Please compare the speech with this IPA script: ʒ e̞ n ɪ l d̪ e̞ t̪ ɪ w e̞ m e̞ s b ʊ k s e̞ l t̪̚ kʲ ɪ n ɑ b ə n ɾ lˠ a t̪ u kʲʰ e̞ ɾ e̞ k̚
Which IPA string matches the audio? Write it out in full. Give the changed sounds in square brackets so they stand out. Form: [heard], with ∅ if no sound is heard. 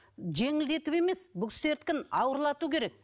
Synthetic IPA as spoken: ʒ e̞ [ŋ] ɪ l d̪ e̞ t̪ ɪ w e̞ m e̞ s b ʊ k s e̞ [ɾ] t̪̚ kʲ ɪ n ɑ [w] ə [∅] ɾ lˠ [ɑ] t̪ u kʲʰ e̞ ɾ e̞ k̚